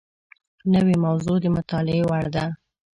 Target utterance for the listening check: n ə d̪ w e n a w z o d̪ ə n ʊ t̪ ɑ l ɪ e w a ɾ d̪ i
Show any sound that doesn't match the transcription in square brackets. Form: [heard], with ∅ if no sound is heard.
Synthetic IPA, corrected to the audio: n ə [∅] w e [m] a w z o d̪ ə [m] ʊ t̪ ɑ l ɪ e w a [ɽ] d̪ [a]